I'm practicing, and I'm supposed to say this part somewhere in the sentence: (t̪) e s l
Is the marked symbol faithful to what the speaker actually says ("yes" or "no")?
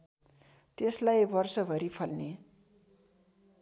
yes